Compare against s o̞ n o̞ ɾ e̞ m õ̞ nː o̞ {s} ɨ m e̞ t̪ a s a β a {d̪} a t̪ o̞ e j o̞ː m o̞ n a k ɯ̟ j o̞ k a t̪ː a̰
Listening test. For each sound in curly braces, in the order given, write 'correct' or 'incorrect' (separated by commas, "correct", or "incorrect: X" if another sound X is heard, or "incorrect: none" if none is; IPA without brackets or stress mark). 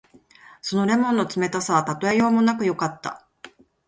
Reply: incorrect: t͡s, incorrect: t̪